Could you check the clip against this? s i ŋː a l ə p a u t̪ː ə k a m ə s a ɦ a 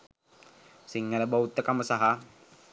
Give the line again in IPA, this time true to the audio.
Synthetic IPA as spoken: s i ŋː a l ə b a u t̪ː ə k a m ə s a ɦ a